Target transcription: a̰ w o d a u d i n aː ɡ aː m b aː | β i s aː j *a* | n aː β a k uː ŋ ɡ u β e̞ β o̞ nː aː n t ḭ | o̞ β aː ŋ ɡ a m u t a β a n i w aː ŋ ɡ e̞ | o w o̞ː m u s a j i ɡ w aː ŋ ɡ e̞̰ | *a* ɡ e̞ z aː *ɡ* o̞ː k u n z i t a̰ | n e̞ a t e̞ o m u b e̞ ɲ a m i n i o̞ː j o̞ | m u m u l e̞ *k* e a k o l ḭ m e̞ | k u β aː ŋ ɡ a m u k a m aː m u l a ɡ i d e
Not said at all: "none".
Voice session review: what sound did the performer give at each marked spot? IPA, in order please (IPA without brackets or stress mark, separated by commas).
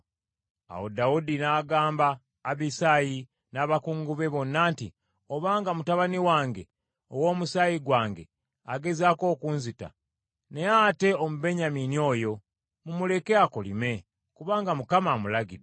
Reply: i, a, k, k